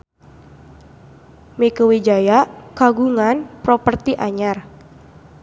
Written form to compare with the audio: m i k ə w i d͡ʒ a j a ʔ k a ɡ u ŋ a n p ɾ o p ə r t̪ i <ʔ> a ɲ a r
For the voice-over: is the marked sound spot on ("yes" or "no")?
yes